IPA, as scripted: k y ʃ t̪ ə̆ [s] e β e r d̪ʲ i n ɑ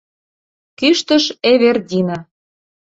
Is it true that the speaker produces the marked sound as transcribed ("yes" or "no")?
no